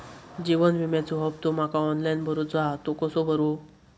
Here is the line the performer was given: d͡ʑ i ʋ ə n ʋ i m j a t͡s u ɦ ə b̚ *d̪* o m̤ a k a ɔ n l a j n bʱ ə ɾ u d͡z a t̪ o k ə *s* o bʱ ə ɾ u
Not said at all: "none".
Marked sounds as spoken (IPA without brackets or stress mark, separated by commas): t̪, s